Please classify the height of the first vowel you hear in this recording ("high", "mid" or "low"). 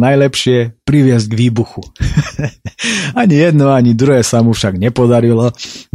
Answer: low